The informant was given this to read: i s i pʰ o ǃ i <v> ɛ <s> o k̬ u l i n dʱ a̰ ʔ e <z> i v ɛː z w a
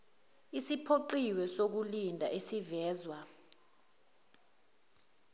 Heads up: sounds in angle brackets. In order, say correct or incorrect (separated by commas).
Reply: incorrect, correct, incorrect